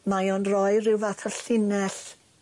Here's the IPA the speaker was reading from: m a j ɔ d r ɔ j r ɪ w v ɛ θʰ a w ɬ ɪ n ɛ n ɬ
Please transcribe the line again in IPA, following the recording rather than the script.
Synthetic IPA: m a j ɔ n r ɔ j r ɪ w v a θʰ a ɬ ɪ n ɛ ɬ